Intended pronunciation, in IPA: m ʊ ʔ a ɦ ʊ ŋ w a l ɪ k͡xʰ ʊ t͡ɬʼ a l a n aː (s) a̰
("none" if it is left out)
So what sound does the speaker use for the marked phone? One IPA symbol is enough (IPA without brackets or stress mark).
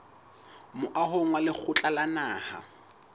h